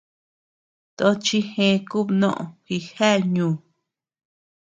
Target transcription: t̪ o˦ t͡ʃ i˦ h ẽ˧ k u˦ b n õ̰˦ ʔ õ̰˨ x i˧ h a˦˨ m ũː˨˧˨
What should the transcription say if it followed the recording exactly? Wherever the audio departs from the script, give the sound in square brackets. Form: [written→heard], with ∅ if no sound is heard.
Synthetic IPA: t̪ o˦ t͡ʃ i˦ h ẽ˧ k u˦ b n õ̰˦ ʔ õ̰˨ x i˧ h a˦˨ [m→ɲ] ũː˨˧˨